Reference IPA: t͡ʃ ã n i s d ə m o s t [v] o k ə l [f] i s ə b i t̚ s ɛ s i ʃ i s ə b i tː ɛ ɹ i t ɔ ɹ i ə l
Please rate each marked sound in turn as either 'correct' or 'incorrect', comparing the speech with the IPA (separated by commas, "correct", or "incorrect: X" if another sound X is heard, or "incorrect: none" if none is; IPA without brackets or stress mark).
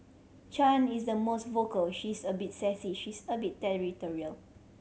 correct, incorrect: ʃ